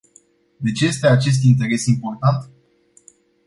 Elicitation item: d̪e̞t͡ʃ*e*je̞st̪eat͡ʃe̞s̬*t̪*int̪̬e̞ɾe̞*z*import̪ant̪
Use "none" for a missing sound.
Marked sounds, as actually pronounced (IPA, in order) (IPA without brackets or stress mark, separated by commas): e, t̪, s